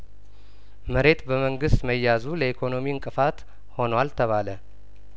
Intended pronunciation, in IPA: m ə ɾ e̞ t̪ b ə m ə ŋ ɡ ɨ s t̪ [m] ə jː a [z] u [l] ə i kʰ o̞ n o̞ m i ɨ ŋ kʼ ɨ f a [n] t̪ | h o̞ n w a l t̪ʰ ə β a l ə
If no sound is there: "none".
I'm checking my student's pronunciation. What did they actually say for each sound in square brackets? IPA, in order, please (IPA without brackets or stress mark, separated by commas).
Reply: m, z, l, none